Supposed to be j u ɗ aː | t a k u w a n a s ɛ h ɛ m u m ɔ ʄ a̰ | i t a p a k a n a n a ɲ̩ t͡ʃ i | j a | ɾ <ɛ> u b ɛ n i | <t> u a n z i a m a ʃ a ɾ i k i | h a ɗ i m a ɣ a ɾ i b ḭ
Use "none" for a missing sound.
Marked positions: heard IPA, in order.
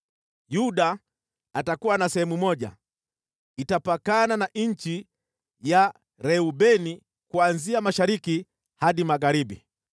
ɛ, k

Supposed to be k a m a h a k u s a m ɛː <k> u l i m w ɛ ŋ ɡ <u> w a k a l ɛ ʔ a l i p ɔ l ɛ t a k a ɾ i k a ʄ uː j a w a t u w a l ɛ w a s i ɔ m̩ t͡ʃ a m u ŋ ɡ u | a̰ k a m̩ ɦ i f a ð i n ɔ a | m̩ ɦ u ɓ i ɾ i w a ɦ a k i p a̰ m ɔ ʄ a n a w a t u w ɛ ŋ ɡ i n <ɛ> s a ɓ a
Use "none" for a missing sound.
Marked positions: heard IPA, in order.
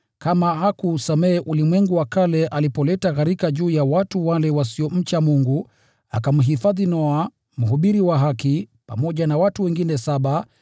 ʔ, u, ɛ

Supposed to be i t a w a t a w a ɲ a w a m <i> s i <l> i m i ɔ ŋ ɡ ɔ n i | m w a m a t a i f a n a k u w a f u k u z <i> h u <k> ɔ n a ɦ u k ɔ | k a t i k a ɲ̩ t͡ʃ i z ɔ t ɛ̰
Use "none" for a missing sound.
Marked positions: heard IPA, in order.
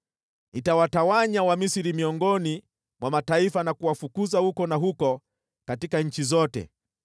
i, ɾ, a, k

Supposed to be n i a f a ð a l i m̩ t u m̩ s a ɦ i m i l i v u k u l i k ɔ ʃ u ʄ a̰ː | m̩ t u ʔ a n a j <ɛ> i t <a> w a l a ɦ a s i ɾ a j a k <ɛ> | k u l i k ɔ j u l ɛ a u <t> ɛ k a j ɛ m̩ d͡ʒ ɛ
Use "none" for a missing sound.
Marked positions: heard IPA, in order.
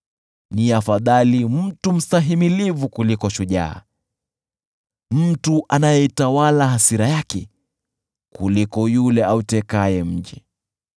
ɛ, a, ɛ, t

